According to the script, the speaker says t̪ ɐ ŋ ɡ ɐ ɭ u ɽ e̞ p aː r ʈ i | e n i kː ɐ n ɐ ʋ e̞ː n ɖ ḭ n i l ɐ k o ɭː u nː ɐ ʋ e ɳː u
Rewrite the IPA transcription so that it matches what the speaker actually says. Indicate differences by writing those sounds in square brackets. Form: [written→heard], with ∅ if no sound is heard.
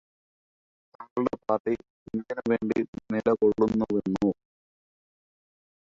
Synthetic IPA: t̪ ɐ ŋ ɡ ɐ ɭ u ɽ e̞ p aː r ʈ i | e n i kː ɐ n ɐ ʋ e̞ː [n→ɳ] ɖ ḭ n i l ɐ k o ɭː u nː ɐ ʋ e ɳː u